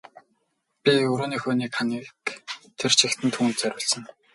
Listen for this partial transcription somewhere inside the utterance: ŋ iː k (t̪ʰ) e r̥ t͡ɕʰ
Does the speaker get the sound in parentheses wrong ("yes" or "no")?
no